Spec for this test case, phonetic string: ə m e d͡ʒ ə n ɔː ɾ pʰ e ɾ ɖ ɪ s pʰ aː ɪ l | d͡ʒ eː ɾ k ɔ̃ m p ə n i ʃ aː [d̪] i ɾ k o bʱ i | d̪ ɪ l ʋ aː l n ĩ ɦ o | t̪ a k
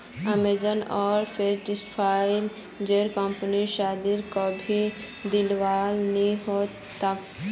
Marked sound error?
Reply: no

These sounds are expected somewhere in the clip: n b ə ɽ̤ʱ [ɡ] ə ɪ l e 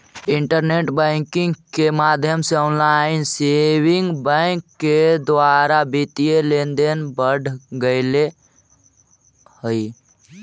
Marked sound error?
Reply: no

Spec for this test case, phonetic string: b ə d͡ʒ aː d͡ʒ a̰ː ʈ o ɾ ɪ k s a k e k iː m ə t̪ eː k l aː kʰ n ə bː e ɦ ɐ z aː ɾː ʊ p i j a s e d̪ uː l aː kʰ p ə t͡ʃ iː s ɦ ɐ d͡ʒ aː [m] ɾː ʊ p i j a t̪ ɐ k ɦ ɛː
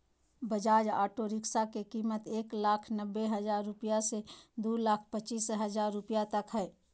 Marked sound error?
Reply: yes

